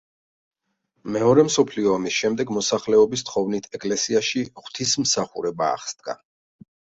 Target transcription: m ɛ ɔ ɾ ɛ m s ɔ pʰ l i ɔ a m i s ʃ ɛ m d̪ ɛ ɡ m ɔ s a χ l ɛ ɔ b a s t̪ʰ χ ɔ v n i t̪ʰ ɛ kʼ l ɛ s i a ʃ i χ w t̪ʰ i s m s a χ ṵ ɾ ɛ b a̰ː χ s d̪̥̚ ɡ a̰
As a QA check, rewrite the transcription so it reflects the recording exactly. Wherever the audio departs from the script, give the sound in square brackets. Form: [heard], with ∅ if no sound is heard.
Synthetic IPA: m ɛ ɔ ɾ ɛ m s ɔ pʰ l i ɔ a m i s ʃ ɛ m d̪ ɛ ɡ m ɔ s a χ l ɛ ɔ b [i] s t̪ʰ χ ɔ v n i t̪ʰ ɛ kʼ l ɛ s i a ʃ i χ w t̪ʰ i s m s a χ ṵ ɾ ɛ b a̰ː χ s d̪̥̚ ɡ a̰